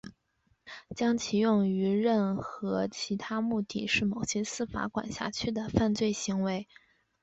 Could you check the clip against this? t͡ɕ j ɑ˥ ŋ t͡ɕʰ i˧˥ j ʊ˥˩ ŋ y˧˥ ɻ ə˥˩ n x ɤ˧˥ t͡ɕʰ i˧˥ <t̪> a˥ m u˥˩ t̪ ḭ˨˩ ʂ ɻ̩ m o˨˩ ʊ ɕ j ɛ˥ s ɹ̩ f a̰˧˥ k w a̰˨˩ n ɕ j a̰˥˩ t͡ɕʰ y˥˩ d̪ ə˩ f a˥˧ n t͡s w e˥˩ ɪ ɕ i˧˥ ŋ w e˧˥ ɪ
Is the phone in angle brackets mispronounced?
yes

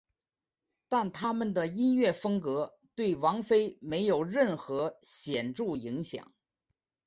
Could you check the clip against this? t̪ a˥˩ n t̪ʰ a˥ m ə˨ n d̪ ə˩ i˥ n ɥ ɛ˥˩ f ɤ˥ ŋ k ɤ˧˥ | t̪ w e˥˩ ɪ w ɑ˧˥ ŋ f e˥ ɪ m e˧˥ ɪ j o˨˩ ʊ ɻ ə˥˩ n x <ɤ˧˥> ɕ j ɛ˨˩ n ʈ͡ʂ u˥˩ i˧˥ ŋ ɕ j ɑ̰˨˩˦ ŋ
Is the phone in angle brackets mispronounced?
no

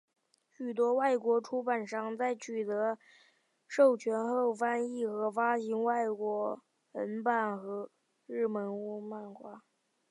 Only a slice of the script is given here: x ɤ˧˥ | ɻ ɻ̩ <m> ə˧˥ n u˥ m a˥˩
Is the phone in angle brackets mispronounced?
no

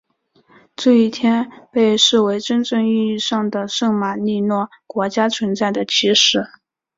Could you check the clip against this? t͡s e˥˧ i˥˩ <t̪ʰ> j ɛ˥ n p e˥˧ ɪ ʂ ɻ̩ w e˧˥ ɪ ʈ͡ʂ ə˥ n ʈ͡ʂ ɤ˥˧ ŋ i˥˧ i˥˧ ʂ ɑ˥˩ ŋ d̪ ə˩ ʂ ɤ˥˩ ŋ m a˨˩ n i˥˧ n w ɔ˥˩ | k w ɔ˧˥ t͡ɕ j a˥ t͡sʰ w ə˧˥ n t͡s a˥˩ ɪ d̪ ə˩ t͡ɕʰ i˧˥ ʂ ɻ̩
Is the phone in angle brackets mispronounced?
no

